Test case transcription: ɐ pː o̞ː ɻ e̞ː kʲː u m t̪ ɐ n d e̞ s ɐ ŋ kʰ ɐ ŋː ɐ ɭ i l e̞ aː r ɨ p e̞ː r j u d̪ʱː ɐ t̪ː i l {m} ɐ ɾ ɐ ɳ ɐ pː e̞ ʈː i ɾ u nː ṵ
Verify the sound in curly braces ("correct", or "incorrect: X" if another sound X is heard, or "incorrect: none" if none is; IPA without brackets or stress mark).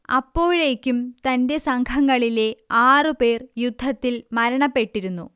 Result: correct